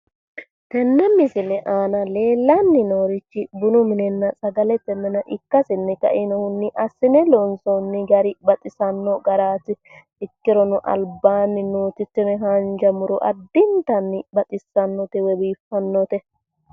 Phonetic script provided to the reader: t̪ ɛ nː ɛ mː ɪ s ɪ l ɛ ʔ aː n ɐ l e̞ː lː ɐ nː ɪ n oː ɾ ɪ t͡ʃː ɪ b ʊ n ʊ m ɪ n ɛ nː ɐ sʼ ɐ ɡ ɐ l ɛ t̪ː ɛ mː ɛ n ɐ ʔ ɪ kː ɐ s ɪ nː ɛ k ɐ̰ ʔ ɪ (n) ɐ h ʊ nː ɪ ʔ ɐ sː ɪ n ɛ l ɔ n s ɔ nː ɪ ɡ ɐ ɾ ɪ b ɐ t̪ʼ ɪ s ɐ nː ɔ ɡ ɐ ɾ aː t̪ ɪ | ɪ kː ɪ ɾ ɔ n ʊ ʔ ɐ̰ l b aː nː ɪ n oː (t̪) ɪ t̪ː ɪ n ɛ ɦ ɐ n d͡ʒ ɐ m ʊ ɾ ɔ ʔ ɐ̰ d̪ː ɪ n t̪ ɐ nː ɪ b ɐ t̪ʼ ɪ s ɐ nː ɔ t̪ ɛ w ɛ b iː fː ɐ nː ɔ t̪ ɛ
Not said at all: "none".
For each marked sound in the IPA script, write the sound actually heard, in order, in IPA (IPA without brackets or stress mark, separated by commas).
n, t̪